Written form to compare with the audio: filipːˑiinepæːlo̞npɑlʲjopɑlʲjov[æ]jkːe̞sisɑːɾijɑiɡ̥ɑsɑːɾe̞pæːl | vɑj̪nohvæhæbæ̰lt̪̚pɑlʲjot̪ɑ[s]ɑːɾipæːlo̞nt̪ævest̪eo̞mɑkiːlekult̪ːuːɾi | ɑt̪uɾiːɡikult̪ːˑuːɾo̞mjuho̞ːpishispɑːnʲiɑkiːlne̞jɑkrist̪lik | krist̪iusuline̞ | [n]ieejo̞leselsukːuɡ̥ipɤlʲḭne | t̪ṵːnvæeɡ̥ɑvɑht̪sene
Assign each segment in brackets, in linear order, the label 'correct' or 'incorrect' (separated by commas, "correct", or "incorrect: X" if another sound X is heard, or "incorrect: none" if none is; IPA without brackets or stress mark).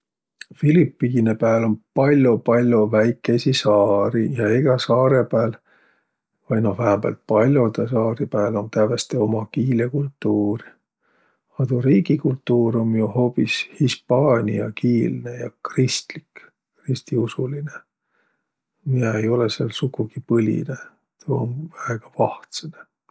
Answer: correct, correct, incorrect: m